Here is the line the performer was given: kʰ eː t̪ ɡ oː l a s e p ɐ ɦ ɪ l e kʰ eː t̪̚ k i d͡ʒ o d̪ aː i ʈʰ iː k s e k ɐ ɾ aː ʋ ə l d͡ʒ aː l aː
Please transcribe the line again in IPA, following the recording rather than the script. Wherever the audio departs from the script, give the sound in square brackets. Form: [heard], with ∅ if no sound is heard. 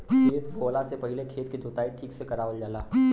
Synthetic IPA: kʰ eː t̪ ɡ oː l a s e p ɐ ɦ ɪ l e kʰ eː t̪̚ k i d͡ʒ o [t̪] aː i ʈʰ iː k s e k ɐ ɾ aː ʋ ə l d͡ʒ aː l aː